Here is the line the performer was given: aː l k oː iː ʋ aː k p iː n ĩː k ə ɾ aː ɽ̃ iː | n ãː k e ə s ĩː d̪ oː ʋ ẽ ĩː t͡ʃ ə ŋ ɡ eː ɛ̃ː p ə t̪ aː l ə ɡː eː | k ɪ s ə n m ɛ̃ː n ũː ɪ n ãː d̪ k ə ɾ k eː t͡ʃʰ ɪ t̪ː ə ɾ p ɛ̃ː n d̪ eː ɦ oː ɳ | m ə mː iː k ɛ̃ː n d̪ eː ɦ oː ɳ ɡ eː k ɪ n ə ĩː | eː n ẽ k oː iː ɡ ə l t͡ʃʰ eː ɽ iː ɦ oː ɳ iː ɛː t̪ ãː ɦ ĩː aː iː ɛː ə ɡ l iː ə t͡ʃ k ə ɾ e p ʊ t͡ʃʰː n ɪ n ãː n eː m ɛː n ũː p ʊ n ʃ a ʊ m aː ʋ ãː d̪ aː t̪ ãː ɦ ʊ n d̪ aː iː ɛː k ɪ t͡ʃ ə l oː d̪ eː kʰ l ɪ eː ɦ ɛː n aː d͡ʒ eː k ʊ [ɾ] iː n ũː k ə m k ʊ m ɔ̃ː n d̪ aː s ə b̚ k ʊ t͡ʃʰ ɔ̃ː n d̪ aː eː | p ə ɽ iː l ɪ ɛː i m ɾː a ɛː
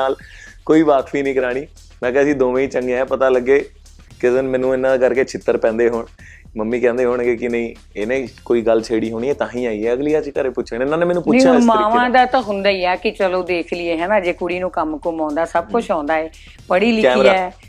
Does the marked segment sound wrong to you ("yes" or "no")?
yes